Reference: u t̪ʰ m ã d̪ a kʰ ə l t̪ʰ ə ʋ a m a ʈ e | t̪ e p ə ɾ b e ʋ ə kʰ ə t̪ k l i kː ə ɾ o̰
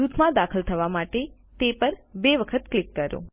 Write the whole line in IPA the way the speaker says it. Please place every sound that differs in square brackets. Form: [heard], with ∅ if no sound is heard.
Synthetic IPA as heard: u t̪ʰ m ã d̪ a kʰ ə l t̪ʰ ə ʋ a m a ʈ e | t̪ e p ə ɾ b e ʋ ə kʰ ə t̪ k l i kː ə ɾ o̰